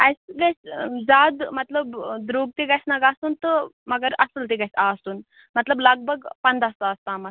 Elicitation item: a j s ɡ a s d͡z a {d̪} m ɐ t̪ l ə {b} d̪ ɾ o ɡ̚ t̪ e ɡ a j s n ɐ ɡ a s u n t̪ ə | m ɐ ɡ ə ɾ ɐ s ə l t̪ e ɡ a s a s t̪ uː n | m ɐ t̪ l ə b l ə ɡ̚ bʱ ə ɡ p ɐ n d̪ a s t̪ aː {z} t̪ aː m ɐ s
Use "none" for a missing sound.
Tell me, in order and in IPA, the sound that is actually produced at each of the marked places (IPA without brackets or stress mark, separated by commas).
d̪, b, s